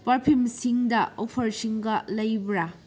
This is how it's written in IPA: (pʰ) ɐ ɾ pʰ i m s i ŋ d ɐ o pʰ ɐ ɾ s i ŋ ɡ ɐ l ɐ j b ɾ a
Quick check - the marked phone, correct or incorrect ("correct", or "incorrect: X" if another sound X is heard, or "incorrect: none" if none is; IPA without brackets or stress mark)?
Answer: incorrect: p